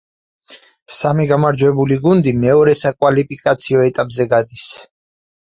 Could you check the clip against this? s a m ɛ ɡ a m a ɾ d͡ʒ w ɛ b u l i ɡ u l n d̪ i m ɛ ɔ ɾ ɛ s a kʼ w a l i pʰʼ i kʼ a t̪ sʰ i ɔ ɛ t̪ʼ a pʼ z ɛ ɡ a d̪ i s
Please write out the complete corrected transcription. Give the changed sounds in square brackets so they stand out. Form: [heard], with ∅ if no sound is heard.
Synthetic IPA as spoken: s a m [i] ɡ a m a ɾ d͡ʒ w ɛ b u l i ɡ u [∅] n d̪ i m ɛ ɔ ɾ ɛ s a kʼ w a l i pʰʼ i kʼ a t̪ sʰ i ɔ ɛ t̪ʼ a pʼ z ɛ ɡ a d̪ i s